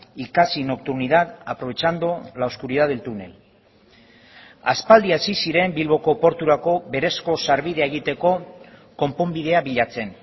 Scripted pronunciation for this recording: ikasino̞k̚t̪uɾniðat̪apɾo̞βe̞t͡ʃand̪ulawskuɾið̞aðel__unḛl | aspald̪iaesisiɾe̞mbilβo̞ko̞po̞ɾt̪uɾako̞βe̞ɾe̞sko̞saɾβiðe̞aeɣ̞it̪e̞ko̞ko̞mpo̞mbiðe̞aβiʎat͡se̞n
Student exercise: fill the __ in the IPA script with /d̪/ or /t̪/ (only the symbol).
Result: t̪